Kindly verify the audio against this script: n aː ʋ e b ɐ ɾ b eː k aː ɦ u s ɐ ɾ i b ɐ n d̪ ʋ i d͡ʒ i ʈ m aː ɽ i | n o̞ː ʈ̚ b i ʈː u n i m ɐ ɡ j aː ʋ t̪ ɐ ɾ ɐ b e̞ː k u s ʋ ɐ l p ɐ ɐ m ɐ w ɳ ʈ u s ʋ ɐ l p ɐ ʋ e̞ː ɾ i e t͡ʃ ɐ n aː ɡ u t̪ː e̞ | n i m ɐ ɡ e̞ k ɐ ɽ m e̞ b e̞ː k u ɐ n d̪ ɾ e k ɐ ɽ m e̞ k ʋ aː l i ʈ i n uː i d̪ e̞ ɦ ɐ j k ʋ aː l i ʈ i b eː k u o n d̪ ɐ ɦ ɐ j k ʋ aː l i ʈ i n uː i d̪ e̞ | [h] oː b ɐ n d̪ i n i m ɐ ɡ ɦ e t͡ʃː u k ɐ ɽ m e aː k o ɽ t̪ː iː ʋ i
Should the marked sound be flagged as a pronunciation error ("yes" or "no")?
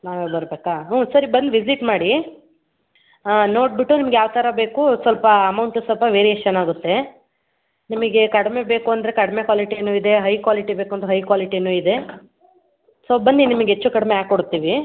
yes